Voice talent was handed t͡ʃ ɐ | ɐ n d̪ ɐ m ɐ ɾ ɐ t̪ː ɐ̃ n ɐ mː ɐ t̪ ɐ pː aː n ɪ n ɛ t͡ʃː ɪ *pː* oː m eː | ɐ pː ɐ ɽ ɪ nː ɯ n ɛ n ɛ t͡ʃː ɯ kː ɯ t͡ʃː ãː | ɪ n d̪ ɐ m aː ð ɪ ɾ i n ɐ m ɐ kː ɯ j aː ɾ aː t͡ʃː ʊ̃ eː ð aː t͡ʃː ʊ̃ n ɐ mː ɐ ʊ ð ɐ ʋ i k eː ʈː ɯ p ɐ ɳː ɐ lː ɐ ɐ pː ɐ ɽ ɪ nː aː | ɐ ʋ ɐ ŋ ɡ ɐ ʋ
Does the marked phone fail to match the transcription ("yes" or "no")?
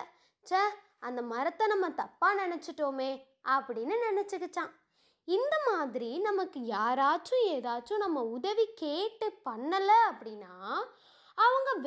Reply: yes